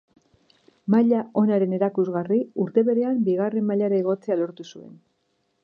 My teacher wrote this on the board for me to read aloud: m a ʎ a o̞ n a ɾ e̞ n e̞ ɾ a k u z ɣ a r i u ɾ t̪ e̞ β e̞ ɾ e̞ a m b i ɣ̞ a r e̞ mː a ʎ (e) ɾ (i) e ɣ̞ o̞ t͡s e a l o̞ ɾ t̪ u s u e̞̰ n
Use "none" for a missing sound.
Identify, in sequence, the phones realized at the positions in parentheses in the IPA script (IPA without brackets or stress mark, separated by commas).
a, a